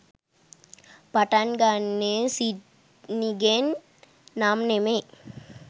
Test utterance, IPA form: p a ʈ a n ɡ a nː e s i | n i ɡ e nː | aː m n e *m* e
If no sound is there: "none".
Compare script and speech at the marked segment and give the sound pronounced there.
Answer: m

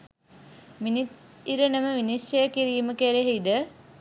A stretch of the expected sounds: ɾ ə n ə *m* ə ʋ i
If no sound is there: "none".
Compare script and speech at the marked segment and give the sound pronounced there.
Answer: m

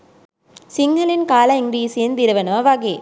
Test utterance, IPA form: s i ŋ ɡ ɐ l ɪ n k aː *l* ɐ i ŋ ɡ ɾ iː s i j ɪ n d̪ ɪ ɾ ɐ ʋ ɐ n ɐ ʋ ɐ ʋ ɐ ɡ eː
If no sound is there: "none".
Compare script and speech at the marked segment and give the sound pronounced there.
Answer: l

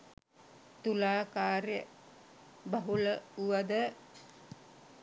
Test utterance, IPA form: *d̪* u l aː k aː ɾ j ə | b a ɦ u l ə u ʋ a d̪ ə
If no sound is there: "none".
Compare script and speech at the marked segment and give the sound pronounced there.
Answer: t̪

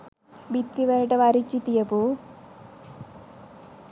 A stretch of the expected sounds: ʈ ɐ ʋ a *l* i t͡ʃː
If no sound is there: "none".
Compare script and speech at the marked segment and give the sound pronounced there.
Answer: ɾ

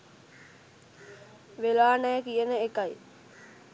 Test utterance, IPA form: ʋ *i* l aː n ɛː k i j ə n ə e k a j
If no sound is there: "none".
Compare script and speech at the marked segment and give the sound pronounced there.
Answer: e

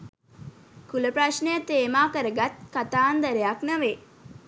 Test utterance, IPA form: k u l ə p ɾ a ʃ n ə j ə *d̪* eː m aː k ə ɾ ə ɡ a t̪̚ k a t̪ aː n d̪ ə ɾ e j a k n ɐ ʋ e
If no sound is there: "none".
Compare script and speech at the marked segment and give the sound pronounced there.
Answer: t̪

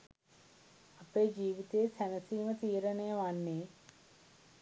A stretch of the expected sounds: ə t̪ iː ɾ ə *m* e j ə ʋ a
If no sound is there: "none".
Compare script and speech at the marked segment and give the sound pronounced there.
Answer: n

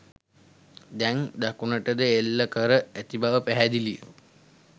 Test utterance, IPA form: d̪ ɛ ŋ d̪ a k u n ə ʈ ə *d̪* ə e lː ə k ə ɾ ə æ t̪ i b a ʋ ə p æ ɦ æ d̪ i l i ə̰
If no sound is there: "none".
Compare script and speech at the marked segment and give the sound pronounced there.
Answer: d̪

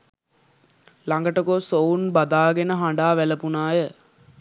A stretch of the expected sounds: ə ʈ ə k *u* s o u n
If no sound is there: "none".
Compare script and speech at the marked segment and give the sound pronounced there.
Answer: o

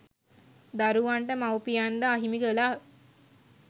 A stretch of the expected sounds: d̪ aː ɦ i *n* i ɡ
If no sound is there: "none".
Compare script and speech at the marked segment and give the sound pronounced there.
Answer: m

